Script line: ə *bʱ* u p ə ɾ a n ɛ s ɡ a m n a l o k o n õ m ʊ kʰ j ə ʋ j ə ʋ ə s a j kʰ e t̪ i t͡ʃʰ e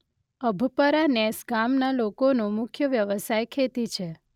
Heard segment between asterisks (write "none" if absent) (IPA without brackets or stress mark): bʱ